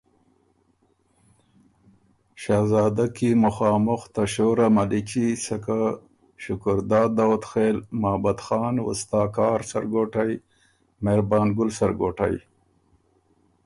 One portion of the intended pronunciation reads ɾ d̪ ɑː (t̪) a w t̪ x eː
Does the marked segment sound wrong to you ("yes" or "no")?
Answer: yes